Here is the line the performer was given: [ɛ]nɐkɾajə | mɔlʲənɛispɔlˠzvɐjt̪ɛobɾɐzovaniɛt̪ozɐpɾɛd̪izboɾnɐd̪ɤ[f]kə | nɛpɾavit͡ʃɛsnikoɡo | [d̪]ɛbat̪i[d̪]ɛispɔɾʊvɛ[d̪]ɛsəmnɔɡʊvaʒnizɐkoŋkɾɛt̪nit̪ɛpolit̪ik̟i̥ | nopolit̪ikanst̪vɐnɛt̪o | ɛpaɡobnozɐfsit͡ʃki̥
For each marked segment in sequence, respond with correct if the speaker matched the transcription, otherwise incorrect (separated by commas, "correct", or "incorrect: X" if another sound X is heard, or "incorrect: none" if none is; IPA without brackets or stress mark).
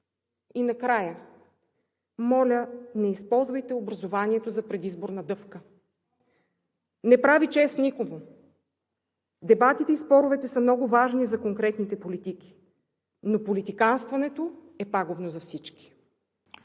incorrect: i, correct, correct, incorrect: t̪, incorrect: t̪